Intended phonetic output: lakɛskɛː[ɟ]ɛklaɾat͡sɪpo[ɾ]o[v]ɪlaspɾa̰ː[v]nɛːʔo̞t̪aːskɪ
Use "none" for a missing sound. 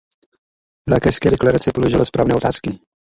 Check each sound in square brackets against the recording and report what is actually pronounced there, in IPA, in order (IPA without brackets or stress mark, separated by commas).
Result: d, l, ʒ, v